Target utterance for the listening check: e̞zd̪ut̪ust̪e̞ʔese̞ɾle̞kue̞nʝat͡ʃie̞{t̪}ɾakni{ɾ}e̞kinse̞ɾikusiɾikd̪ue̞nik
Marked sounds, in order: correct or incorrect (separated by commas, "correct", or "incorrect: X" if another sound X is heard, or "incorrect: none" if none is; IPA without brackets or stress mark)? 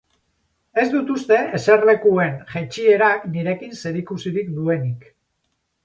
incorrect: none, correct